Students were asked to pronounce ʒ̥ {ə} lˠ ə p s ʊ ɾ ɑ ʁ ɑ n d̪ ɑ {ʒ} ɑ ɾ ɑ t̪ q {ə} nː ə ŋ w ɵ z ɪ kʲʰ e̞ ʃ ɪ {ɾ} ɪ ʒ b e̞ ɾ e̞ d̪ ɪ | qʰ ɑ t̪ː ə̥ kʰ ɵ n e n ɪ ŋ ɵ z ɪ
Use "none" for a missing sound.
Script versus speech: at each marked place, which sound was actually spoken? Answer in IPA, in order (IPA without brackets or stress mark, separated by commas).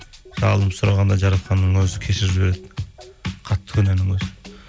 ɑ, ʒ, ɑ, ɾ